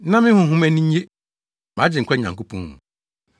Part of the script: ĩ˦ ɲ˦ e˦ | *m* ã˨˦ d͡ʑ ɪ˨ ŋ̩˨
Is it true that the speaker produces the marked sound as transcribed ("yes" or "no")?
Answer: yes